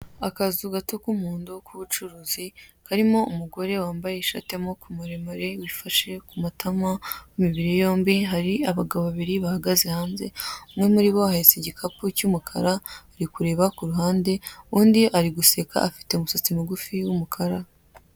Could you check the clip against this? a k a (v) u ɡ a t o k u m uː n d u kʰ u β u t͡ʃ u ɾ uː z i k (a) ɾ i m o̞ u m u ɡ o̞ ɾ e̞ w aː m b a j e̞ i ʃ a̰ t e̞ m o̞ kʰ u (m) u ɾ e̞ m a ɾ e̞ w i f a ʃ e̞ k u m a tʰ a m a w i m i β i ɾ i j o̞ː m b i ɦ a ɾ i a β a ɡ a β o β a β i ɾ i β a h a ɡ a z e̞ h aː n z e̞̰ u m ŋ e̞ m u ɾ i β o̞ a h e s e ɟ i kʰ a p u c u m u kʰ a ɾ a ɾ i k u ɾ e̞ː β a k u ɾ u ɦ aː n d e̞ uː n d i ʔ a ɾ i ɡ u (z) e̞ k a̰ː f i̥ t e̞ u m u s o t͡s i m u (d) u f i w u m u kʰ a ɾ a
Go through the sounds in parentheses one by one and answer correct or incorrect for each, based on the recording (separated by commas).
incorrect, correct, correct, incorrect, incorrect